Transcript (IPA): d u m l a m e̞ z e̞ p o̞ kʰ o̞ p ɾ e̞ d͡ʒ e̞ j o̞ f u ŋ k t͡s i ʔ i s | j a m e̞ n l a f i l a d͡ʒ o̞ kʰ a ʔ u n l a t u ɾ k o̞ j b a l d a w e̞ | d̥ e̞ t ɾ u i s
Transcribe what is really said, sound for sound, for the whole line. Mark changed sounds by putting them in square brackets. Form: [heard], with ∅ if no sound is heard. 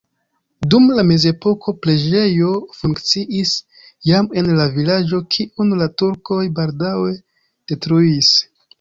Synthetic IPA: d u m l a m e̞ z e̞ p o̞ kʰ o̞ p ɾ e̞ d͡ʒ e̞ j o̞ f u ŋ k t͡s i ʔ i s | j a m e̞ n l a [v] i l a d͡ʒ o̞ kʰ [i] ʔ u n l a t u ɾ k o̞ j b a l d a w e̞ | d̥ e̞ t ɾ u i s